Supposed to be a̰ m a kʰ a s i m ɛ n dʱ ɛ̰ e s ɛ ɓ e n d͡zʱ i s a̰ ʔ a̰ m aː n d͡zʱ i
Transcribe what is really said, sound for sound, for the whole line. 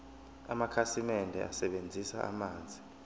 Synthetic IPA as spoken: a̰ m a kʰ a s i m ɛ n dʱ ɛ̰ a s ɛ ɓ e n d͡zʱ i s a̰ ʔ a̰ m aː n d͡zʱ i